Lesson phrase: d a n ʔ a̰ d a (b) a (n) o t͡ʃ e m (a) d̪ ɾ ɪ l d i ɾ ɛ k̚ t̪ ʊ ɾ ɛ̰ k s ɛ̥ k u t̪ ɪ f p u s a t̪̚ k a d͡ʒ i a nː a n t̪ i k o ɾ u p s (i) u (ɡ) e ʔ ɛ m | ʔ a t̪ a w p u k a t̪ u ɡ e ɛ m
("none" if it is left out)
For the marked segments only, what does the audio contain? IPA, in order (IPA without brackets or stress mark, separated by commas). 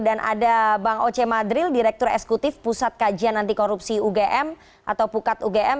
b, ŋ, a, i, ɡ